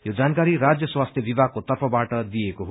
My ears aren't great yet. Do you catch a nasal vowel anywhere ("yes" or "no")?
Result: no